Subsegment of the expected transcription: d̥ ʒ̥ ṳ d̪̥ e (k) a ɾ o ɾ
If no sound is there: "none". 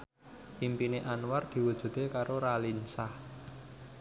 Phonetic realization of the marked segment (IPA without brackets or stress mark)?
k